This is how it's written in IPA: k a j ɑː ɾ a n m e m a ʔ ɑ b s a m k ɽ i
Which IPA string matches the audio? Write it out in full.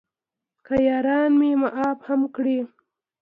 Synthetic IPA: k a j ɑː ɾ ɑ n m e m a ʔ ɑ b h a m k ɽ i